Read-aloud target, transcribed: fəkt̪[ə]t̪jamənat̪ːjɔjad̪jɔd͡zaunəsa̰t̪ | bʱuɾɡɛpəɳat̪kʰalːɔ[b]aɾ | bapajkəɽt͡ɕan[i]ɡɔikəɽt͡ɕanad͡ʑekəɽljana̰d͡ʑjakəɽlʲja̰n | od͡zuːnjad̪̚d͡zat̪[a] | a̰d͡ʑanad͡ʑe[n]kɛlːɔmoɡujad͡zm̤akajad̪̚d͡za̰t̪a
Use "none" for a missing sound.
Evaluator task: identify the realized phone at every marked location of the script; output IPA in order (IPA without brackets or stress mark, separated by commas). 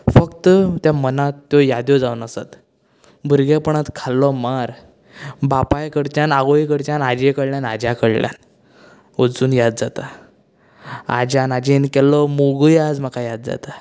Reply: ə, m, a, a, n